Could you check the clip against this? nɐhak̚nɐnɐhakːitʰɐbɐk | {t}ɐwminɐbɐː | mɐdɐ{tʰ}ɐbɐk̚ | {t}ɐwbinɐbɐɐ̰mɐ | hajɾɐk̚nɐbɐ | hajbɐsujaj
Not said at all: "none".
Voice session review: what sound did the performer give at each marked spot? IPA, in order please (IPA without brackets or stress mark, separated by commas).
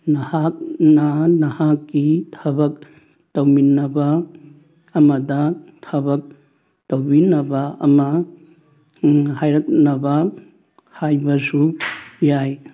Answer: t, tʰ, t